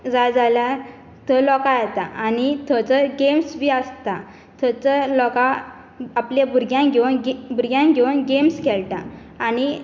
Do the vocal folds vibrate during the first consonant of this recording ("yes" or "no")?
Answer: yes